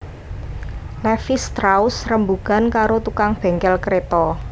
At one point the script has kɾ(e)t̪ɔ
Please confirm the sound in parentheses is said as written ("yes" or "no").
yes